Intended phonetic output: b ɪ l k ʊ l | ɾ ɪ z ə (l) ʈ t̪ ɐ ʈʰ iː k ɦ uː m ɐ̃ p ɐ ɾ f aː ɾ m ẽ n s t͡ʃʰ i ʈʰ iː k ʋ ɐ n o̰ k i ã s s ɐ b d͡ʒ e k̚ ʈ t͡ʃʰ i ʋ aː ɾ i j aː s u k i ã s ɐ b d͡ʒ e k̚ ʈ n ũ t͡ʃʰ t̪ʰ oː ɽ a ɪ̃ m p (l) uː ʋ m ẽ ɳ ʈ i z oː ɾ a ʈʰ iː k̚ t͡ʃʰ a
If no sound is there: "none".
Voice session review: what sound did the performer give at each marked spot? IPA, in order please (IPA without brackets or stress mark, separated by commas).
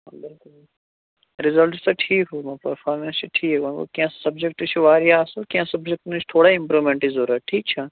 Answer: l, ɾ